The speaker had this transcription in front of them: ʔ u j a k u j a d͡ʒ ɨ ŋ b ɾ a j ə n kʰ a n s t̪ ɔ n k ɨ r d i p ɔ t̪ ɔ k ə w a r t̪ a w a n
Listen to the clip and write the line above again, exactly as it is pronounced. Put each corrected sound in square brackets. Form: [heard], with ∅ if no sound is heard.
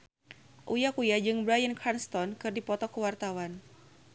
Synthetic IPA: ʔ u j a k u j a d͡ʒ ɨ ŋ b ɾ a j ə n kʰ a n s t̪ ɔ n k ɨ r d i p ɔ t̪ ɔ k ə w a r t̪ a w a n

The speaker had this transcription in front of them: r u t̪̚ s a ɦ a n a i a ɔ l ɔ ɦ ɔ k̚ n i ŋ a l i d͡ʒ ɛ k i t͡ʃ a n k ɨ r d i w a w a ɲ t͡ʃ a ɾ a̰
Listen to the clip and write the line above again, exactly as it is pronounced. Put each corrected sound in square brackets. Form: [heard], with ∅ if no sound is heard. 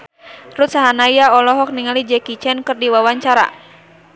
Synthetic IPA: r u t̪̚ s a ɦ a n a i a ɔ l ɔ ɦ ɔ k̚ n i ŋ a l i d͡ʒ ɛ k i t͡ʃ [ɛ] n k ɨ r d i w a w a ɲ t͡ʃ a ɾ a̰

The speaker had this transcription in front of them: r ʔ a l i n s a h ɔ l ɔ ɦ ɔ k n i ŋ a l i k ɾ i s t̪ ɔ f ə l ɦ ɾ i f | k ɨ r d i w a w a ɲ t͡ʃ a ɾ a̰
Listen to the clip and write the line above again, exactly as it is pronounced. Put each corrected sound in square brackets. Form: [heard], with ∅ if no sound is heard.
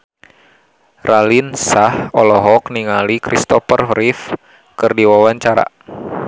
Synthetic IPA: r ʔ a l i n s a h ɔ l ɔ ɦ ɔ k n i ŋ a l i k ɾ i s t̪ ɔ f ə [r] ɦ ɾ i f | k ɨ r d i w a w a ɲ t͡ʃ a ɾ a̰

